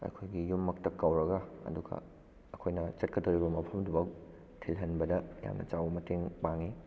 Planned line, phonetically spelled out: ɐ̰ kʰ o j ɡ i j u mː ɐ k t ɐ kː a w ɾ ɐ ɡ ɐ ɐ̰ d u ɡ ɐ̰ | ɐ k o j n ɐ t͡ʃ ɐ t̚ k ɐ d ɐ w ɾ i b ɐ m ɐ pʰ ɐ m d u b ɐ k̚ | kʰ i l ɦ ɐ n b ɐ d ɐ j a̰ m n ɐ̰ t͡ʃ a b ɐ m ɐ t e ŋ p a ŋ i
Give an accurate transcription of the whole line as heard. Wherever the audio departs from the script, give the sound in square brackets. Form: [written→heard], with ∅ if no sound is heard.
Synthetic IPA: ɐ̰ kʰ o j ɡ i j u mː ɐ k t ɐ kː a w ɾ ɐ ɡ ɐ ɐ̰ d u ɡ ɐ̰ | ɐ [k→kʰ] o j n ɐ t͡ʃ ɐ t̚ k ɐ d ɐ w ɾ i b ɐ m ɐ pʰ ɐ m d u b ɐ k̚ | [kʰ→tʰ] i l ɦ ɐ n b ɐ d ɐ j a̰ m n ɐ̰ t͡ʃ a [b→w] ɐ m ɐ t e ŋ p a ŋ i